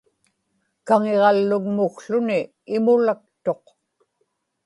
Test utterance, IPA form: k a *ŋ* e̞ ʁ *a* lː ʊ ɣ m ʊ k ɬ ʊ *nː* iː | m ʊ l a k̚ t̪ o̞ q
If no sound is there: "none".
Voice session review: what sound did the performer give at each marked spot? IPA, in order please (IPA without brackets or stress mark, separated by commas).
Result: ŋ, ɑ, n